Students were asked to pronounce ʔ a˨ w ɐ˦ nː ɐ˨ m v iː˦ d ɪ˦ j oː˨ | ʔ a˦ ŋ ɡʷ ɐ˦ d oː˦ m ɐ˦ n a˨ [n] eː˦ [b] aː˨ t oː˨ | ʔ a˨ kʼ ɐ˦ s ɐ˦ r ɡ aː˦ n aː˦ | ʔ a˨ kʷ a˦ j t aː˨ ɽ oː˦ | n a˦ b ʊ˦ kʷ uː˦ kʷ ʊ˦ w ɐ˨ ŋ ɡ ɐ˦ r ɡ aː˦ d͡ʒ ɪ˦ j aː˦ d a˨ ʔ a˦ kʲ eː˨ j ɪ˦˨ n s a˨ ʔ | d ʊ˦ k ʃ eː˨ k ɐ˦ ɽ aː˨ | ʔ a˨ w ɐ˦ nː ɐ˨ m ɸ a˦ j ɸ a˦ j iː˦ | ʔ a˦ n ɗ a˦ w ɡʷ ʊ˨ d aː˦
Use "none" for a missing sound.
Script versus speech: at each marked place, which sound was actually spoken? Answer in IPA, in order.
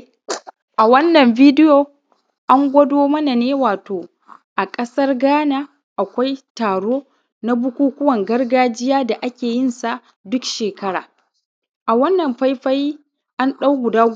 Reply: n, w

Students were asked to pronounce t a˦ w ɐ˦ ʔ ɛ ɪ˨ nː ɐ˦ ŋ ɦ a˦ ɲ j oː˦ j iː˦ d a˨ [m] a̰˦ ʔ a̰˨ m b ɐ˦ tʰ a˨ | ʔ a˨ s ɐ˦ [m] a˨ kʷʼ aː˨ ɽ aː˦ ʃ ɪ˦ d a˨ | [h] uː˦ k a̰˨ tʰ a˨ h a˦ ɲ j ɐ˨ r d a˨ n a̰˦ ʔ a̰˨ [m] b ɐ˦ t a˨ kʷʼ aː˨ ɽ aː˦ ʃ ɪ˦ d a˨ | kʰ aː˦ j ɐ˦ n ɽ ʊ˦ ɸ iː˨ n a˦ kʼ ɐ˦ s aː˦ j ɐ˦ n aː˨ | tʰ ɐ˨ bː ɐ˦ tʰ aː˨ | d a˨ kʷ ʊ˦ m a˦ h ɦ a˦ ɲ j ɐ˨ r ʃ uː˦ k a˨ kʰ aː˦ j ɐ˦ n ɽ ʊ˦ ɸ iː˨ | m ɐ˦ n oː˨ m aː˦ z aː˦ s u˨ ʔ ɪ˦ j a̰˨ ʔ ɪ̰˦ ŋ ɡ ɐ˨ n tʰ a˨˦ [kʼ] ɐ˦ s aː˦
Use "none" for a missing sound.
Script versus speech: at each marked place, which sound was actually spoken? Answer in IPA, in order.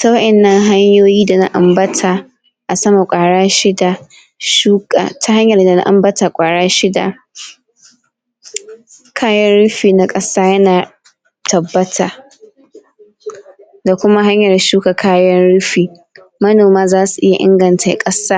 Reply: n, m, ʃ, m, kʼ

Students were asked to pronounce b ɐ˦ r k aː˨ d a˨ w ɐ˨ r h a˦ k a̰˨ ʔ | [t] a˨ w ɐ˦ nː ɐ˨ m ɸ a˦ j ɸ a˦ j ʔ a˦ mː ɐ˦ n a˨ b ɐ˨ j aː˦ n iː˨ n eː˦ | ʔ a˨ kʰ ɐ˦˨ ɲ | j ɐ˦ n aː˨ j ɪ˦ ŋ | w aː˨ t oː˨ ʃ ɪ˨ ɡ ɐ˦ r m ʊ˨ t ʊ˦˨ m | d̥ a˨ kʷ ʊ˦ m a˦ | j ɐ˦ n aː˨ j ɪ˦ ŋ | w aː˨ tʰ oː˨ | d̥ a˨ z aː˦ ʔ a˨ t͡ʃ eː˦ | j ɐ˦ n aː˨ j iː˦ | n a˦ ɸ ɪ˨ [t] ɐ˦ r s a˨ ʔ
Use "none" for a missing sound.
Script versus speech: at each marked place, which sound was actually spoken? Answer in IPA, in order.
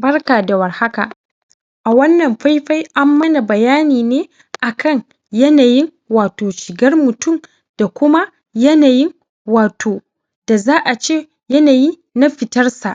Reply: ʔ, t

